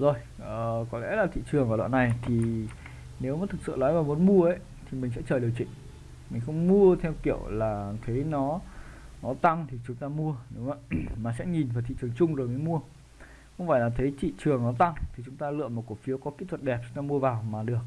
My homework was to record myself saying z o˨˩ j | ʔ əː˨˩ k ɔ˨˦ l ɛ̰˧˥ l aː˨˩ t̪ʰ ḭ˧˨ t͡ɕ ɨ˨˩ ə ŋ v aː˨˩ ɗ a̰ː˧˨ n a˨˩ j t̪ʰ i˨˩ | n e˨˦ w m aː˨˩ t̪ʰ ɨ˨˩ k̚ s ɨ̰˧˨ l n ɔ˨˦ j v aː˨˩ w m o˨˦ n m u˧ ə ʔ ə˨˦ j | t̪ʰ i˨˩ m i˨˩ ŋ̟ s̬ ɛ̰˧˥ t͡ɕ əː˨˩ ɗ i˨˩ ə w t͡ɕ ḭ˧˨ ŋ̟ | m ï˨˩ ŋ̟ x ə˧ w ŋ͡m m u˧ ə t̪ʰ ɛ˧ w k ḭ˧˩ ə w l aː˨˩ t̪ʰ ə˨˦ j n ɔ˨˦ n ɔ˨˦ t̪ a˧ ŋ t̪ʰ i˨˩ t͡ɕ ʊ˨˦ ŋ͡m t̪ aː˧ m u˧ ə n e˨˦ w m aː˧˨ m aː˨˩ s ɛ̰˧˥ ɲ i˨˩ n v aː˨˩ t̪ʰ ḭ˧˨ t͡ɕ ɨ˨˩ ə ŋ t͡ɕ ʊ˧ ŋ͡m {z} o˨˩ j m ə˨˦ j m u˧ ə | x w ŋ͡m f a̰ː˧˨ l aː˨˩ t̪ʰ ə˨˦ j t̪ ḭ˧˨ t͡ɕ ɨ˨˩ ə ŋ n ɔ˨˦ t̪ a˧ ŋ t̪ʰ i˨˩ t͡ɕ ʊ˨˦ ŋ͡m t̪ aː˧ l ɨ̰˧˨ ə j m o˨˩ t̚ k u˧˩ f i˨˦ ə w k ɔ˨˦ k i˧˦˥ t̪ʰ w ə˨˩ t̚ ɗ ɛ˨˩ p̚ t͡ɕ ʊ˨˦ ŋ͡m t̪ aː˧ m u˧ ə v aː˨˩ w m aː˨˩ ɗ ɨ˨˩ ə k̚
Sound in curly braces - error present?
no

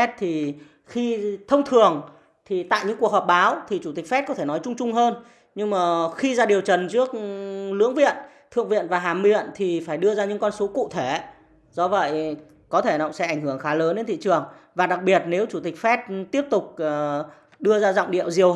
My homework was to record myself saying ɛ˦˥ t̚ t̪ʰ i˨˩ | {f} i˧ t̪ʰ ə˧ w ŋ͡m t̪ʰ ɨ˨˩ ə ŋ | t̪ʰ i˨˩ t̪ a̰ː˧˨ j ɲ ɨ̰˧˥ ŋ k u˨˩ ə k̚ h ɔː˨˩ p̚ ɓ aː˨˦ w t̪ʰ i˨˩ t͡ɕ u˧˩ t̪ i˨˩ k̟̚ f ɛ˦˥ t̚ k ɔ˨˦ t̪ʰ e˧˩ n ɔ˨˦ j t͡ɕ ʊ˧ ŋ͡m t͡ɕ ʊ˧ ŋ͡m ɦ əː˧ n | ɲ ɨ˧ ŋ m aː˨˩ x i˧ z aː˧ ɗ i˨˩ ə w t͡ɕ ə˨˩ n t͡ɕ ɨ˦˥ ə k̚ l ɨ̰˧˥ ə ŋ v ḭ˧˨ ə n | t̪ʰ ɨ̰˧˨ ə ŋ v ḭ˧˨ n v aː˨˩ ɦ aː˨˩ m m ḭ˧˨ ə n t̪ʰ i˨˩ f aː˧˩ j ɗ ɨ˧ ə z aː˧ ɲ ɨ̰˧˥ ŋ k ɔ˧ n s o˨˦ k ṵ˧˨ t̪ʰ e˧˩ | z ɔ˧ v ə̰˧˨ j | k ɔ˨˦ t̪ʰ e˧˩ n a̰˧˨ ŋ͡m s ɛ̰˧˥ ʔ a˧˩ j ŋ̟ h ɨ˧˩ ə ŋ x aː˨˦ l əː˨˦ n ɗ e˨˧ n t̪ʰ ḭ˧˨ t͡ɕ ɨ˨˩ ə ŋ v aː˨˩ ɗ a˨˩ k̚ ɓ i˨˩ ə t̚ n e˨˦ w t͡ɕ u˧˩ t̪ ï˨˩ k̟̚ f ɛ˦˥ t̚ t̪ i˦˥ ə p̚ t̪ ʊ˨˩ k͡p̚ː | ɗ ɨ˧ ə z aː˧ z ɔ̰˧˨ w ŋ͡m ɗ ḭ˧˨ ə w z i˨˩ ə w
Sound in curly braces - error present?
yes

